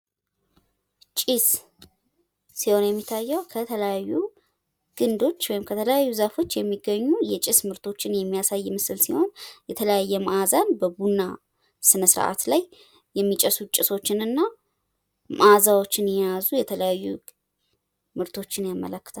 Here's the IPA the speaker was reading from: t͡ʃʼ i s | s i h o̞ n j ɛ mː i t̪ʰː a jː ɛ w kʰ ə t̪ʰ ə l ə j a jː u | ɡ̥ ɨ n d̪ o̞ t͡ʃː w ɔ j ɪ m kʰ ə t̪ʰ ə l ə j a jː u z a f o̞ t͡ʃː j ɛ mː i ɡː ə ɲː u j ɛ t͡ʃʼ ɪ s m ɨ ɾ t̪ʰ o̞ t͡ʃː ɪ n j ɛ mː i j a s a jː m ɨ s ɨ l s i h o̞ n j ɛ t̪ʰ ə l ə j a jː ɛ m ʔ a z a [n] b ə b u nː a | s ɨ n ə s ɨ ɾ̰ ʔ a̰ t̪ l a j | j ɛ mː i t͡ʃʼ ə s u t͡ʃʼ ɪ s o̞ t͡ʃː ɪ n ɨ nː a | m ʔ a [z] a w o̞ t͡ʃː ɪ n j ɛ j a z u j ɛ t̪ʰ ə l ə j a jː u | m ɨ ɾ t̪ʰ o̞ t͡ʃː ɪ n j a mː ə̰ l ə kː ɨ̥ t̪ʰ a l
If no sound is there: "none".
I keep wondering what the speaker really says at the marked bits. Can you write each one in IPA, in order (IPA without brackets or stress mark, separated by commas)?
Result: n, z